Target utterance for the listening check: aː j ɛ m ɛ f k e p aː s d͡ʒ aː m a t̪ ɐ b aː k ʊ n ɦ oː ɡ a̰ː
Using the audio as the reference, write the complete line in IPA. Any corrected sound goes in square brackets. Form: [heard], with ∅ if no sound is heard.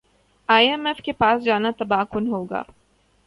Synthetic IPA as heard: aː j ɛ m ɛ f k e p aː s d͡ʒ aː [n] a t̪ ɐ b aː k ʊ n ɦ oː ɡ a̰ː